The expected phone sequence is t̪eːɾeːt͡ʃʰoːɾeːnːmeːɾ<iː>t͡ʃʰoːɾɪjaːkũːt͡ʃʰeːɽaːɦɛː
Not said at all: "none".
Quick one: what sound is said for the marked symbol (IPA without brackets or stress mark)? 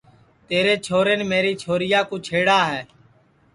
iː